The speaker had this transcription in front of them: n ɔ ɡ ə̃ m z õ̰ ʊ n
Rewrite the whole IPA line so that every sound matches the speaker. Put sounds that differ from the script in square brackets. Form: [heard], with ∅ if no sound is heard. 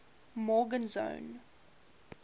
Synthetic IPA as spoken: [m] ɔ ɡ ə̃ [n] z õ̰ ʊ n